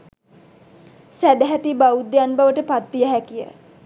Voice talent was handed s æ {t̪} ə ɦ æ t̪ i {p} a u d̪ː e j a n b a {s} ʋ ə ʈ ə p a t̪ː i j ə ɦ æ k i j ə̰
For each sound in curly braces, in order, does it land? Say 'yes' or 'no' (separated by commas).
no, no, no